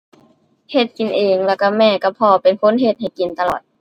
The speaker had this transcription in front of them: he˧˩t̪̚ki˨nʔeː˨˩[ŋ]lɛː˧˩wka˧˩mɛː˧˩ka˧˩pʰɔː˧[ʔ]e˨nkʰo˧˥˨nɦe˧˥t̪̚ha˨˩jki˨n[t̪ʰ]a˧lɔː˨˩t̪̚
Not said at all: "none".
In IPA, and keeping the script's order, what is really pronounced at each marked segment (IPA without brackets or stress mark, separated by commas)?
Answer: ŋ, p, t̪